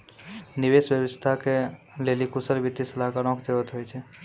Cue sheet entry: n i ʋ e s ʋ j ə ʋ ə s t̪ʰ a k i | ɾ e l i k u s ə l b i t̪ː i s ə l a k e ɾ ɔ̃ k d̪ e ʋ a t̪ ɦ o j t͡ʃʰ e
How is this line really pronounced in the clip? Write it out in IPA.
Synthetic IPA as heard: n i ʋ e s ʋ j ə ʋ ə s t̪ʰ a k e | l e l i k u s ə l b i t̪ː i s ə l a k a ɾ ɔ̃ k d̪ e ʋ ə t̪ ɦ o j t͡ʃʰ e